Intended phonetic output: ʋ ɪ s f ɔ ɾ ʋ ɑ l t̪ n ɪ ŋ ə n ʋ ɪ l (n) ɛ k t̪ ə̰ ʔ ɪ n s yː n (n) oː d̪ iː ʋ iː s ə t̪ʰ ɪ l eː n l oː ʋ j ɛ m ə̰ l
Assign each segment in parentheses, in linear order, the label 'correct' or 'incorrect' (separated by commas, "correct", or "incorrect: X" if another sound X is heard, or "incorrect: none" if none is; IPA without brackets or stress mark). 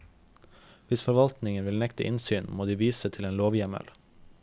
correct, incorrect: m